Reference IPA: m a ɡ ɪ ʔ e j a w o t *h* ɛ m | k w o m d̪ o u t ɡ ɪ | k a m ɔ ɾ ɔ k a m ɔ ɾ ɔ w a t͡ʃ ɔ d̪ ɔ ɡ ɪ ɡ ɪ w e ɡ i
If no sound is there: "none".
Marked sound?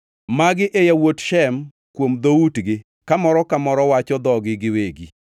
ʃ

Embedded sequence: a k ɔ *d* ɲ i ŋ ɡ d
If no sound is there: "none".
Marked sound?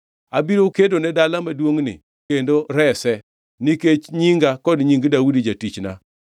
d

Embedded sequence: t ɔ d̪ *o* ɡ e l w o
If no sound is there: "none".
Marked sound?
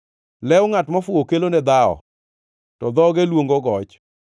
ɔ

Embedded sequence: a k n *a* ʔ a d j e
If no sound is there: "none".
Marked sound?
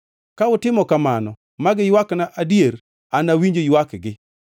a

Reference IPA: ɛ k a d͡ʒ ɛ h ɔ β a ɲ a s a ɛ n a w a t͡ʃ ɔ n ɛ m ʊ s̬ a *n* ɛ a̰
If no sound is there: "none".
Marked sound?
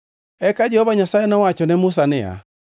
n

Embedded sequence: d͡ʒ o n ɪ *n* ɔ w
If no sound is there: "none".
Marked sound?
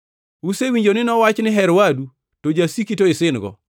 n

